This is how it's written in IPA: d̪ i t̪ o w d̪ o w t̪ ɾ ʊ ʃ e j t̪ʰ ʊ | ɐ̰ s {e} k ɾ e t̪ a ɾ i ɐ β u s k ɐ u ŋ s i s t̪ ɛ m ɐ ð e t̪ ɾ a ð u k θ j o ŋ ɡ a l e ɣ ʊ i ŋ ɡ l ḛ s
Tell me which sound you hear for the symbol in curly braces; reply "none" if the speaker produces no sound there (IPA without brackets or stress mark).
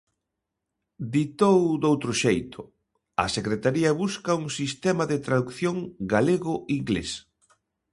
e